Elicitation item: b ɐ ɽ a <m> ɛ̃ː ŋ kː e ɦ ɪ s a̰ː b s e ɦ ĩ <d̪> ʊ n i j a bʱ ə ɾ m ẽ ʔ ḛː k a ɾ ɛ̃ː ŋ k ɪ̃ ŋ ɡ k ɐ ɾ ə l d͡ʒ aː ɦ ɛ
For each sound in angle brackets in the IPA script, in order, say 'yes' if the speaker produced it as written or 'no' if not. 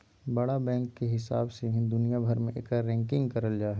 no, yes

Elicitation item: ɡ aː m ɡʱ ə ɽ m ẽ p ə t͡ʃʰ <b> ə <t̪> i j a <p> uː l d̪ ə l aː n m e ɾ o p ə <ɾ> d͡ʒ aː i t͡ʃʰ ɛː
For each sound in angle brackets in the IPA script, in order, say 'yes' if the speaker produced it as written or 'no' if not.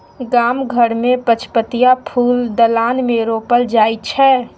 no, yes, no, no

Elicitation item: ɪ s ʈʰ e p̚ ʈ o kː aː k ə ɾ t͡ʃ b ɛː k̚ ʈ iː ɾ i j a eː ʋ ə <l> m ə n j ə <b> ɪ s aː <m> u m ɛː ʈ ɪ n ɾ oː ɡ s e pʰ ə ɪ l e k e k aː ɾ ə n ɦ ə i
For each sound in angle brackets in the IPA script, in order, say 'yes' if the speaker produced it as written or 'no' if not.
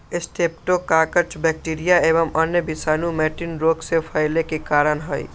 no, yes, no

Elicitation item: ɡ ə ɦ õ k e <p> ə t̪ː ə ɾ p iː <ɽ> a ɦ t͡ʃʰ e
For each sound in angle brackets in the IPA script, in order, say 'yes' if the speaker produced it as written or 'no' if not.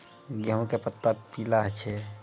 yes, no

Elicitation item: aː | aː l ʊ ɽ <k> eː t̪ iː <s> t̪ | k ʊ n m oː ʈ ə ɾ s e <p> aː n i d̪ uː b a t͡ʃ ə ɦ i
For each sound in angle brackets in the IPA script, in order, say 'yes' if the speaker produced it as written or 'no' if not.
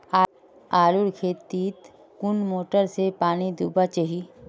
no, no, yes

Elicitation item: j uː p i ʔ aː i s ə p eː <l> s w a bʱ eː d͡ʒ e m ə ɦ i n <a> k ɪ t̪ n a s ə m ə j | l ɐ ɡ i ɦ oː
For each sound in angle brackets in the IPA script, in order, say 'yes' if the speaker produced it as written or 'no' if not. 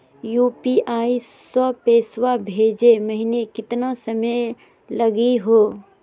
no, no

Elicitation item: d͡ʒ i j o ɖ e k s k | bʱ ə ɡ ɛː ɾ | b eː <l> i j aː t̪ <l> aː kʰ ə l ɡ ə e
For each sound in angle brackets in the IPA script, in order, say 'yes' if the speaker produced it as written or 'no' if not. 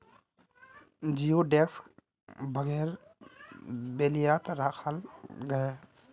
yes, no

